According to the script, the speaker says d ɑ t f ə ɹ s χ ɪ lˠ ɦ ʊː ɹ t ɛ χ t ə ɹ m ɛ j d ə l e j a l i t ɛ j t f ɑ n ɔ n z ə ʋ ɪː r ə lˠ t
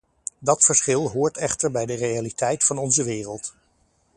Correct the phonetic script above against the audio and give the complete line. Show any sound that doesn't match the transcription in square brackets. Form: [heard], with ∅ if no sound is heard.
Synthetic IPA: d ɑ t f ə ɹ s χ ɪ lˠ ɦ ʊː ɹ t ɛ χ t ə ɹ [b] ɛ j d ə [r] e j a l i t ɛ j t f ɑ n ɔ n z ə ʋ ɪː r ə lˠ t